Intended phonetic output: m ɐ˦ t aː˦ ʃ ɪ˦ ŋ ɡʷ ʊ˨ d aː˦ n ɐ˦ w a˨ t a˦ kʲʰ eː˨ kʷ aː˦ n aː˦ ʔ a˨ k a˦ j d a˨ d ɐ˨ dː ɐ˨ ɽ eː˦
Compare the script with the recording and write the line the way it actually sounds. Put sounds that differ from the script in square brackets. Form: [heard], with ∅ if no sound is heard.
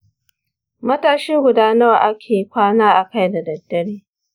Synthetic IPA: m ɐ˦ t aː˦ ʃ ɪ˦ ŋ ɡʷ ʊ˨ d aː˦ n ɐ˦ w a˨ [ʔ] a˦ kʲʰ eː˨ kʷ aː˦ n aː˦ ʔ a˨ k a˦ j d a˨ d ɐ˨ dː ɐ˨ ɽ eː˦